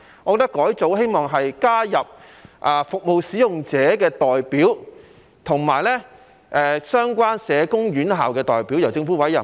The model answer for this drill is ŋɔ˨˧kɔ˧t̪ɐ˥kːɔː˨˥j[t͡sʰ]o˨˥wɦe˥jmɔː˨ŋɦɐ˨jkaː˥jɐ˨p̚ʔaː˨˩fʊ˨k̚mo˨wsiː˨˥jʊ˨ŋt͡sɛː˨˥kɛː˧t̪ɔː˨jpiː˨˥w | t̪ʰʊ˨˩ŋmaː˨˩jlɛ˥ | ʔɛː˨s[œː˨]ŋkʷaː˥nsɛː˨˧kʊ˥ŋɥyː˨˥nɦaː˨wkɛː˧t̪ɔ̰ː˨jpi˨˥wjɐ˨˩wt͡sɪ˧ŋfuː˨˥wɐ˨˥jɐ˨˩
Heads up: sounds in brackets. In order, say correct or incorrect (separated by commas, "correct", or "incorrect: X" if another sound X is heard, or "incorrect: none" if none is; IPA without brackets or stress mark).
incorrect: t͡s, incorrect: œː˥